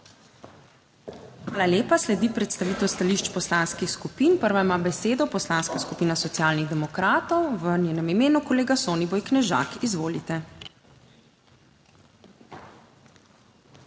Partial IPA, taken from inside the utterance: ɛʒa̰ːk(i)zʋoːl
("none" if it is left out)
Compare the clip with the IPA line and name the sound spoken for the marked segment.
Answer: i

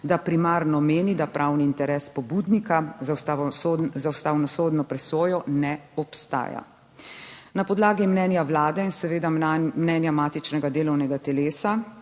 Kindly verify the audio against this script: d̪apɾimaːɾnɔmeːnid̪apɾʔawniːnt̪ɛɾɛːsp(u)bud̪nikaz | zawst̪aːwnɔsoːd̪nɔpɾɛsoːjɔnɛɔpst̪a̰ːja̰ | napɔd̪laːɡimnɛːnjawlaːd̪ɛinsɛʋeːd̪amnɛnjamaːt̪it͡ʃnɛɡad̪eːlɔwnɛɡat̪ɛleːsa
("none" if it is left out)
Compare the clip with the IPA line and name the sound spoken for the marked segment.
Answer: ɔ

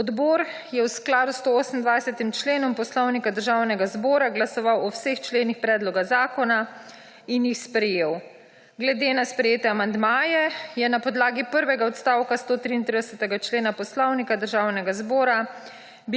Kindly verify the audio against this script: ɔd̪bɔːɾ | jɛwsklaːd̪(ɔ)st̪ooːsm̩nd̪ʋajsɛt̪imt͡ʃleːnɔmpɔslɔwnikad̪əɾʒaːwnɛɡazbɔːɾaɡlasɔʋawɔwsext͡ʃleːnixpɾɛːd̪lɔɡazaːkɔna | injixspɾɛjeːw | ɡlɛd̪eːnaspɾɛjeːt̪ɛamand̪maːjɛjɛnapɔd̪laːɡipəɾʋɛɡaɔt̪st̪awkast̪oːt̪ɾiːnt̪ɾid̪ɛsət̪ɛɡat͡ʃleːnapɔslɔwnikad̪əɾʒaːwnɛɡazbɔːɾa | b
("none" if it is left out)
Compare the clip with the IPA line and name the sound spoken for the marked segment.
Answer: u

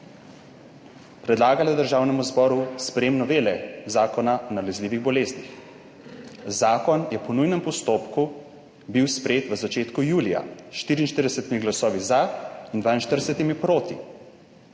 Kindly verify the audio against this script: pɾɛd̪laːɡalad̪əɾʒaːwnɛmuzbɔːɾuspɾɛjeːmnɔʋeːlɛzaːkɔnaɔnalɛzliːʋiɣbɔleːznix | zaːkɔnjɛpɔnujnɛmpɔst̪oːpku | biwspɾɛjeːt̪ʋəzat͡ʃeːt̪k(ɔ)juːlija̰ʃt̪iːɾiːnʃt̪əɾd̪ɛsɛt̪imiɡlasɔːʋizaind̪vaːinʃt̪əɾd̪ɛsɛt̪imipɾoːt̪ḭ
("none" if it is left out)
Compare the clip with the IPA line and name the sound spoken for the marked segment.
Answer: u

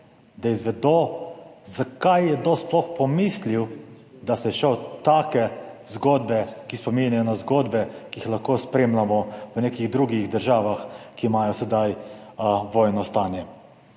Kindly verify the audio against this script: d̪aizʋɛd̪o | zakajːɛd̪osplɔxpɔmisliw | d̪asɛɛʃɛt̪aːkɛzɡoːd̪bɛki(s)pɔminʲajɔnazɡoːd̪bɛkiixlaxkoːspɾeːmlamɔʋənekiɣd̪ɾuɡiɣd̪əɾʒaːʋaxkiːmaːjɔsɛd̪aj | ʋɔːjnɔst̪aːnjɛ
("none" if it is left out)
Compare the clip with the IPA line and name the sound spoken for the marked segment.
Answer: s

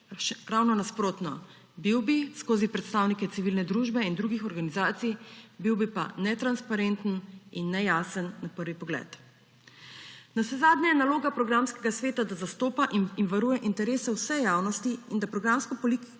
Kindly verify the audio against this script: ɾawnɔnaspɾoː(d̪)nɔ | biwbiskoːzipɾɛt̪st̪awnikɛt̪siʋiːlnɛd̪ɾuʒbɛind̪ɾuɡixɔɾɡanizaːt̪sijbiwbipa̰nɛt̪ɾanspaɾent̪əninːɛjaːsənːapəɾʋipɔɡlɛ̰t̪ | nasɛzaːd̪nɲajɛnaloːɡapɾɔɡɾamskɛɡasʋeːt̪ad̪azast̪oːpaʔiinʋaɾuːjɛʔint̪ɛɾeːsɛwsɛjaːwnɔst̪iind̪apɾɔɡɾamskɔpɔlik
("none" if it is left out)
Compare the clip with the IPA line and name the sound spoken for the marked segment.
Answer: t̪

